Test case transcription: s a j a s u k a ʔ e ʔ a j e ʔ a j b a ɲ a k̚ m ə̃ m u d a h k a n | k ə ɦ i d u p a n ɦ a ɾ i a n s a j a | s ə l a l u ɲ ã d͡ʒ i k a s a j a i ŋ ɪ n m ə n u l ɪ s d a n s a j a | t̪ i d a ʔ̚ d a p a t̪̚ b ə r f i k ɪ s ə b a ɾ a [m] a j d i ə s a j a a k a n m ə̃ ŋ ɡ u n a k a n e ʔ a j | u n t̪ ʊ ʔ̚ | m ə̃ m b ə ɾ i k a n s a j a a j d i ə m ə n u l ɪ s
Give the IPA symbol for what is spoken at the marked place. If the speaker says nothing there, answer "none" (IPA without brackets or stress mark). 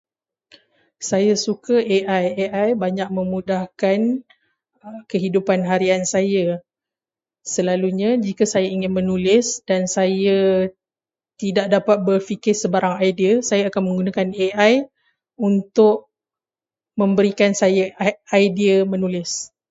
ŋ